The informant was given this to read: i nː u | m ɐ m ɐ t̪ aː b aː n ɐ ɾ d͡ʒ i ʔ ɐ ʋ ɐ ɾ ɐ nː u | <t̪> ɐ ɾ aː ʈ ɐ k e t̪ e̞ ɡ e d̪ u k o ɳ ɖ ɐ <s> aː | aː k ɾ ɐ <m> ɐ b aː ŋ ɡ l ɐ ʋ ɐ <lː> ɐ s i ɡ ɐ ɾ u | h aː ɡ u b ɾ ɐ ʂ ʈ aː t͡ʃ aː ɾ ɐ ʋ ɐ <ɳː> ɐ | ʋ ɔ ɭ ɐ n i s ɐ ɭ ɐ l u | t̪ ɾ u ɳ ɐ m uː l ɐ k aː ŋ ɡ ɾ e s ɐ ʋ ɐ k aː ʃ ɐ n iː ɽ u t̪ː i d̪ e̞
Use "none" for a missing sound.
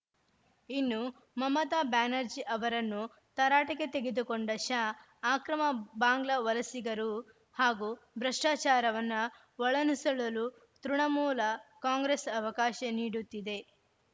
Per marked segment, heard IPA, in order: t̪, ʃ, m, l, nː

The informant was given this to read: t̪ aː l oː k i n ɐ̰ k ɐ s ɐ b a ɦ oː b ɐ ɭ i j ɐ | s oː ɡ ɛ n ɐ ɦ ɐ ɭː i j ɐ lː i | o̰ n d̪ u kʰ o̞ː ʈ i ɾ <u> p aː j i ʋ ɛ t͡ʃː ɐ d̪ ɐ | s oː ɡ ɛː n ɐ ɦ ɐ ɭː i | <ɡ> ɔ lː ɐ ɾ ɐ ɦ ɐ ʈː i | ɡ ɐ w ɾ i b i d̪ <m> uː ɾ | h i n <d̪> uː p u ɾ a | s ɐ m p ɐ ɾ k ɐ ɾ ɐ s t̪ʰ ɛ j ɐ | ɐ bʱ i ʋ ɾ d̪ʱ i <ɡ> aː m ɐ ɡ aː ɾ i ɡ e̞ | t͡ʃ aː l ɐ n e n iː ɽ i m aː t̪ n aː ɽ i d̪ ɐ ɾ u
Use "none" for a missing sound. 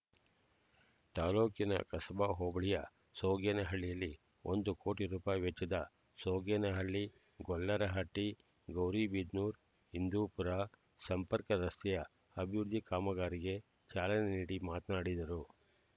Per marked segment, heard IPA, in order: uː, ɡ, n, d̪, k

